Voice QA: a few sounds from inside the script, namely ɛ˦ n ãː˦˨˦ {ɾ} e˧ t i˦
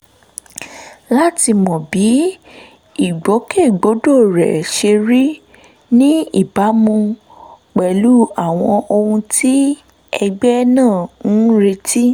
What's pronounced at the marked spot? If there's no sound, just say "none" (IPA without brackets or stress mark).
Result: ɾ